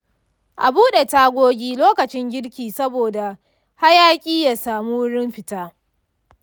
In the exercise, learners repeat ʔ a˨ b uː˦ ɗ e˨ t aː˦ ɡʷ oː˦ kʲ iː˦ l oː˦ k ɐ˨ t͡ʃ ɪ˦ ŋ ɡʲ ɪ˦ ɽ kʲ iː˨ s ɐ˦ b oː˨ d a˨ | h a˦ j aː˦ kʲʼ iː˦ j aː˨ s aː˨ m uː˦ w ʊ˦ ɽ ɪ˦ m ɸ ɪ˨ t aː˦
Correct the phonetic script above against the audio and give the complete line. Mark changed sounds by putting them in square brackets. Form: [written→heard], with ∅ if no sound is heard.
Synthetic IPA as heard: ʔ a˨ b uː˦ ɗ e˨ t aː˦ ɡʷ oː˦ [kʲ→ɡʲ] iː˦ l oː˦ k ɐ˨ t͡ʃ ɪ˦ ŋ ɡʲ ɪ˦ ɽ kʲ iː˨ s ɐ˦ b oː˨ d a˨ | h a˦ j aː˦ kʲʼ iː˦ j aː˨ s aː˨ m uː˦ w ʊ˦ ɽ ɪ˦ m ɸ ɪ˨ t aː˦